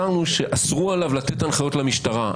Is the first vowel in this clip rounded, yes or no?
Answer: no